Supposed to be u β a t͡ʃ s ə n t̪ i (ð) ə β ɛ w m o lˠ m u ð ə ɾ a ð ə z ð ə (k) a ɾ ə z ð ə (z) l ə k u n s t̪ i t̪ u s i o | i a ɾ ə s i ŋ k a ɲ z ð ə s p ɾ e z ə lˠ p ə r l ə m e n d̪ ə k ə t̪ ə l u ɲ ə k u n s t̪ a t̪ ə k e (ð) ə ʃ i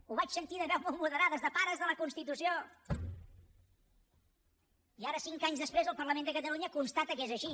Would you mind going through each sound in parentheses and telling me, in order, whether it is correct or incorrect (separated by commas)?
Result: correct, incorrect, incorrect, incorrect